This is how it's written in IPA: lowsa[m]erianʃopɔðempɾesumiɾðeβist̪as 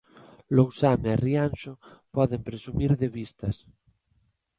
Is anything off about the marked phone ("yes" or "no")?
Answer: no